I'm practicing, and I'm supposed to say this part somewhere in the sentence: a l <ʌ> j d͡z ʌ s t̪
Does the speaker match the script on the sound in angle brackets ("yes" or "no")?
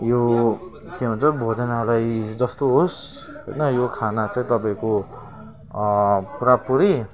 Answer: no